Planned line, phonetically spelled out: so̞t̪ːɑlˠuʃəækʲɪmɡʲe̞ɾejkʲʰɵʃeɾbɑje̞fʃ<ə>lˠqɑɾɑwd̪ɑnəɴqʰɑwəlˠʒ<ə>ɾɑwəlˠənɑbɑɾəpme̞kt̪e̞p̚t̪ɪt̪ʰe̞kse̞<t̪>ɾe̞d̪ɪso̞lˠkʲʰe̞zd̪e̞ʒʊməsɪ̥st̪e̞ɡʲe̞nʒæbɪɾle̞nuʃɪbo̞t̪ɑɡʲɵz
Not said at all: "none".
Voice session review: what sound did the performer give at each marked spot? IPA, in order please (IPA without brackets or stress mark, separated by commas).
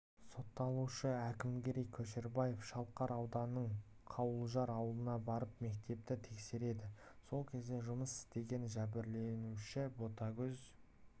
ɑ, ɑ, none